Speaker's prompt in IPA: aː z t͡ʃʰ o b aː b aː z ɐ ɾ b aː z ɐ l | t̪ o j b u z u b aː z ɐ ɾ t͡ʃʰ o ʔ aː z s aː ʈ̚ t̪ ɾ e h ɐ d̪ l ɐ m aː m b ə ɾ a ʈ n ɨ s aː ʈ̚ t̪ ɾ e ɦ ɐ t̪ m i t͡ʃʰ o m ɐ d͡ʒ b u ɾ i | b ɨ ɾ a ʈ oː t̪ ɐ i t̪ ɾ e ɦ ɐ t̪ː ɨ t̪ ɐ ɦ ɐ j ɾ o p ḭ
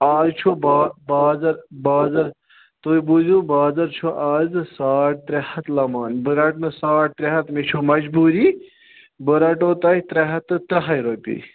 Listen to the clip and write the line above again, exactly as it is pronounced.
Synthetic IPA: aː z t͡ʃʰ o b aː b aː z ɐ ɾ b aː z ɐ ɾ | t̪ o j b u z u b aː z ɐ ɾ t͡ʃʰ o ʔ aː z s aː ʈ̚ t̪ ɾ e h ɐ t̪ l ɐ m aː n b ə ɾ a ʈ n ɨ s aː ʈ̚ t̪ ɾ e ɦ ɐ t̪ m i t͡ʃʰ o m ɐ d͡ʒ b u ɾ i | b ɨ ɾ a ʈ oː t̪ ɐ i t̪ ɾ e ɦ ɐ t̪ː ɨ t̪ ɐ ɦ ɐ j ɾ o p ḭ